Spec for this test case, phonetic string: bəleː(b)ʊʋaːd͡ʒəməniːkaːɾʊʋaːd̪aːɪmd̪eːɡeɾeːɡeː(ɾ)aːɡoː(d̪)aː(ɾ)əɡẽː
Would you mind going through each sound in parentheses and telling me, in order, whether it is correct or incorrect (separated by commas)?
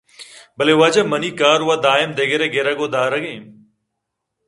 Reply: incorrect, correct, correct, correct